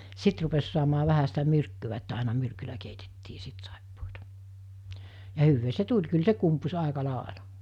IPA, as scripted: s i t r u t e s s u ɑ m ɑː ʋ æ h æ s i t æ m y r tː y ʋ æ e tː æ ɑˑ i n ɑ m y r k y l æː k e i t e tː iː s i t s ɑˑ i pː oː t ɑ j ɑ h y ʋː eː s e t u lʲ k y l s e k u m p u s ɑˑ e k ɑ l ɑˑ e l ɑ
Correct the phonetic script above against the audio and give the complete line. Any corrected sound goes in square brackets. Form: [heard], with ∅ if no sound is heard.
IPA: s i t r u [p] e s s u ɑ m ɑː ʋ æ h æ s i t æ m y r [kː] y ʋ æ e tː æ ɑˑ i n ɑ m y r k y l [æ] k e i t e tː iː s i t s ɑˑ i pː oː t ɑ j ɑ h y ʋː eː s e t u lʲ k y l s e k u m p u s ɑˑ e k ɑ l ɑˑ e l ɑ